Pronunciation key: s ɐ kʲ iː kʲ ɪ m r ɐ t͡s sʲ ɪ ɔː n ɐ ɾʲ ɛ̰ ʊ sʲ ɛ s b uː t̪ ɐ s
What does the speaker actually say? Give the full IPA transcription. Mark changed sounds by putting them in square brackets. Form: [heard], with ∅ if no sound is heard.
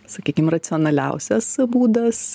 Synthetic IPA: s ɐ kʲ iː kʲ ɪ m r ɐ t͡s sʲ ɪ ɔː n ɐ [lʲ] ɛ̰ ʊ sʲ ɛ s b uː [d̪] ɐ s